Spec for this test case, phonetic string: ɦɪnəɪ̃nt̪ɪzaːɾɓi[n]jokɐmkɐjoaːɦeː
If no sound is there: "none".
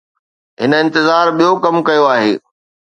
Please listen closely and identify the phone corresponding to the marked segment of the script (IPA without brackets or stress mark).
none